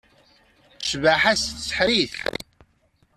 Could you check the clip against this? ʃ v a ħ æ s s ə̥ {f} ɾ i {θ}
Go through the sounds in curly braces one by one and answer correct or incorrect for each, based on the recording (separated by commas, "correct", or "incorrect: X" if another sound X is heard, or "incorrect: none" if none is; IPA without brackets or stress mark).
incorrect: ħ, correct